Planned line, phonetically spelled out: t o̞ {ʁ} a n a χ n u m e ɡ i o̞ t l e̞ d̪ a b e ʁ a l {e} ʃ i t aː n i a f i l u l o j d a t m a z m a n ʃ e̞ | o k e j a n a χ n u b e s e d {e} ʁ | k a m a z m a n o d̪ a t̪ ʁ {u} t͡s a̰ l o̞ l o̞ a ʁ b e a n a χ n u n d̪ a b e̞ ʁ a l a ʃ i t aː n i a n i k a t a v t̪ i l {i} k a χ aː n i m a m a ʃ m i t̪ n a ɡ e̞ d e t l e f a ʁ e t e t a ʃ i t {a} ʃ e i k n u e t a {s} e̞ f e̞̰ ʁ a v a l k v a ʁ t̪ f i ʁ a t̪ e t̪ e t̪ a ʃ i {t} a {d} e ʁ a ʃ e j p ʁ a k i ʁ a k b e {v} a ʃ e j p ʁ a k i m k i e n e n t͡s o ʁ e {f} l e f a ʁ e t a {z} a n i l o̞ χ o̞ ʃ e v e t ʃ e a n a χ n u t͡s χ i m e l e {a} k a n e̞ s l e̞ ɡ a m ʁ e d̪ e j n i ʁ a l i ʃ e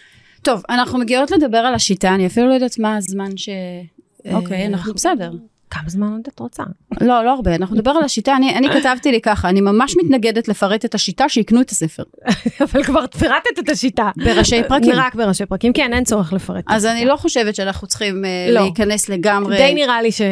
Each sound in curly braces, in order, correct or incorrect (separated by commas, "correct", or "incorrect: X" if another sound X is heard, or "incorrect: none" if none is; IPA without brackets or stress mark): incorrect: v, incorrect: a, correct, incorrect: o, correct, correct, correct, correct, incorrect: b, incorrect: ʁ, incorrect: χ, correct, incorrect: i